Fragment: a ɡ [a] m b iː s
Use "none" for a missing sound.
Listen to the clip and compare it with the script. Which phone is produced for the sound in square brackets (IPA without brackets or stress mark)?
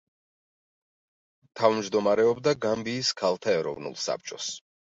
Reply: a